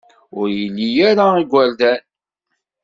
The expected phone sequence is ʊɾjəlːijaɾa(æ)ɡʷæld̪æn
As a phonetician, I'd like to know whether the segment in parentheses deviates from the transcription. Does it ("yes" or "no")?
yes